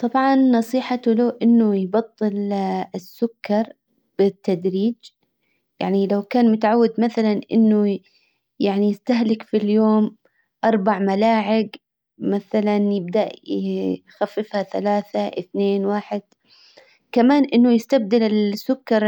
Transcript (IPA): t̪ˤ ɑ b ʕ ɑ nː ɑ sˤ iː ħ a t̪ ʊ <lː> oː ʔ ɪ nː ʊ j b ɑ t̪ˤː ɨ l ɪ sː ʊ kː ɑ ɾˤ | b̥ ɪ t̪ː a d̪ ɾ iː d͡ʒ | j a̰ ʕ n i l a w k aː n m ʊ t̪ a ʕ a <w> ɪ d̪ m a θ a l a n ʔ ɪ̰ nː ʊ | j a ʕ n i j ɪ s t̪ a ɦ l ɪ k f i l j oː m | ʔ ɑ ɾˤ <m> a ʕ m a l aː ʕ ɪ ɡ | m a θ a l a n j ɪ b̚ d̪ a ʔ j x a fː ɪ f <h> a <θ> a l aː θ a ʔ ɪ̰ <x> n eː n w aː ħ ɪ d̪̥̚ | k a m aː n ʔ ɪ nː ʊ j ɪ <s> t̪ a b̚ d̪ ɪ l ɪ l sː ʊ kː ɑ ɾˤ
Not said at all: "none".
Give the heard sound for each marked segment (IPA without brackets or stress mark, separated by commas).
l, wː, b, h, θ, θ, s